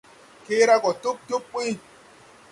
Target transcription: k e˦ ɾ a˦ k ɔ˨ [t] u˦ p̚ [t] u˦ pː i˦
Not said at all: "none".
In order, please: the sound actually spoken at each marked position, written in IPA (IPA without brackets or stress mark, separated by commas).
t, t